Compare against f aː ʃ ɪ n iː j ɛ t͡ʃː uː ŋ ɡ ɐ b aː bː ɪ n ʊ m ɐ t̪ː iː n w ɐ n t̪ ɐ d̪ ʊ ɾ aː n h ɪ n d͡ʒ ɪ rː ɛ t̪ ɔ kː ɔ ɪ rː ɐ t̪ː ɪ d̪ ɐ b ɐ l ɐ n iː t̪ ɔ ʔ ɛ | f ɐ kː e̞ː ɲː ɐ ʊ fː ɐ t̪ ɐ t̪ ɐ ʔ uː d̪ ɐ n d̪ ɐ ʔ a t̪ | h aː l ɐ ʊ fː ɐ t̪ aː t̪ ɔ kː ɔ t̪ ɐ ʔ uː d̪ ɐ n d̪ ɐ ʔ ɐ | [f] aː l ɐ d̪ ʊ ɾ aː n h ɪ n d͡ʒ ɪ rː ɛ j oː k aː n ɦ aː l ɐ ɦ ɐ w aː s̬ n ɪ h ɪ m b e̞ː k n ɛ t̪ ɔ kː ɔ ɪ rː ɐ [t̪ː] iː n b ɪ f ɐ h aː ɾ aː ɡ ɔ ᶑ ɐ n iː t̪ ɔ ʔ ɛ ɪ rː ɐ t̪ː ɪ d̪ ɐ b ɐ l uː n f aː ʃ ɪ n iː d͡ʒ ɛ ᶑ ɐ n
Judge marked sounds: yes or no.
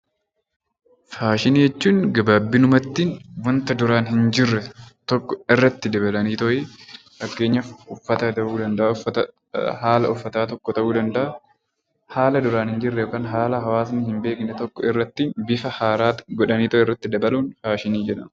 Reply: no, yes

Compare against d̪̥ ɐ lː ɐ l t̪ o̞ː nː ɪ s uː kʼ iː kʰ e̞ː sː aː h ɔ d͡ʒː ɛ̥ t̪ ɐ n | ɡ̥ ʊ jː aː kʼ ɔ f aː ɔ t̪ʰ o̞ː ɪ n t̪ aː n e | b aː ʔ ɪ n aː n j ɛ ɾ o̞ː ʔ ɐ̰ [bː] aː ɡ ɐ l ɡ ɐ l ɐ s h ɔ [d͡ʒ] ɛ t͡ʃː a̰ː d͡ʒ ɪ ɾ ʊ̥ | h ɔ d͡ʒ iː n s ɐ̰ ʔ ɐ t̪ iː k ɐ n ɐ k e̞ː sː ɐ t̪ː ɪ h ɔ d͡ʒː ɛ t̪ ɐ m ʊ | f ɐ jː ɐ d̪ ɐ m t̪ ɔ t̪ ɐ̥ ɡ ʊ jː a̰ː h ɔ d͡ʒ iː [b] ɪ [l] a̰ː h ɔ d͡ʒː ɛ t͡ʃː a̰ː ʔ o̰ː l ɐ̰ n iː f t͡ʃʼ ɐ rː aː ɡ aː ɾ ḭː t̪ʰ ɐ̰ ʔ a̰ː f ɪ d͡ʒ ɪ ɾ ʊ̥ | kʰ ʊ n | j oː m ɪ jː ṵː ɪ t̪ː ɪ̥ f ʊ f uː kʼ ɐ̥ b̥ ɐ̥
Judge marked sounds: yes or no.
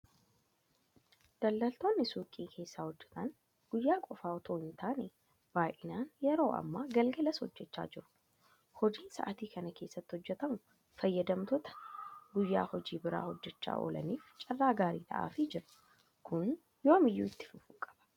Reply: no, no, yes, no

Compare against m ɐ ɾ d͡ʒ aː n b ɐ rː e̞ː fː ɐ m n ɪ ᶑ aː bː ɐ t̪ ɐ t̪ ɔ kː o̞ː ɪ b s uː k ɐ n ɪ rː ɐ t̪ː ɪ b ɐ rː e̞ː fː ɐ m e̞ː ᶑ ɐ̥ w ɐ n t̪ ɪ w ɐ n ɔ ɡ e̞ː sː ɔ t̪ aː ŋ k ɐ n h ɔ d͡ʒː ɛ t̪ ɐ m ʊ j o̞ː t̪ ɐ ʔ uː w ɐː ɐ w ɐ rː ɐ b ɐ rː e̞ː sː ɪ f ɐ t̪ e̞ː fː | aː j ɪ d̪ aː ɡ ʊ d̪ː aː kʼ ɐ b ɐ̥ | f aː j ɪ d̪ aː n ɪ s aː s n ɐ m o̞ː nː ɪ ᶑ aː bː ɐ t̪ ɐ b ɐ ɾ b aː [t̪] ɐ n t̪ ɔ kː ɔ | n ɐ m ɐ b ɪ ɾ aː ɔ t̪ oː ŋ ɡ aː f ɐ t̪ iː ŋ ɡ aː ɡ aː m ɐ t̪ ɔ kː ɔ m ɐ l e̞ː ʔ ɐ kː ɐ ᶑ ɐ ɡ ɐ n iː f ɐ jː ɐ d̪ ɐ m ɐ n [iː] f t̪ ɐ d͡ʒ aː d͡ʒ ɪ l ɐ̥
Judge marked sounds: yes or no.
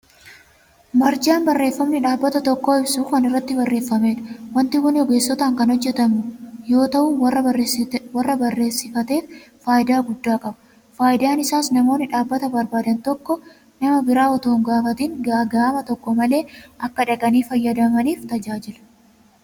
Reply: no, yes

